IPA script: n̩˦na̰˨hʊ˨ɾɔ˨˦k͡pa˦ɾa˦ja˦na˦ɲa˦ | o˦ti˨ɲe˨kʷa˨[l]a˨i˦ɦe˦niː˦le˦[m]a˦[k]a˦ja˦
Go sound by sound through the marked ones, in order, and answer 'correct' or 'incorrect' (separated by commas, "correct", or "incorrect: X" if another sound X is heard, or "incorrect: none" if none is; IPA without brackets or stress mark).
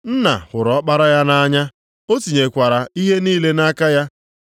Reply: incorrect: ɾ, incorrect: n, correct